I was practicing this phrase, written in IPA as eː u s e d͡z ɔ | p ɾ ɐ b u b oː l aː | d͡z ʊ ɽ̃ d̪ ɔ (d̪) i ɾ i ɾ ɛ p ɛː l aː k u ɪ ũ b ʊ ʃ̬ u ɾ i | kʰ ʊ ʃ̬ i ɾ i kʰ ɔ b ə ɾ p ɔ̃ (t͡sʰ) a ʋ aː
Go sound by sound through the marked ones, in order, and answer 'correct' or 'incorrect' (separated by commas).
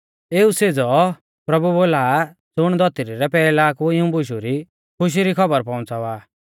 incorrect, incorrect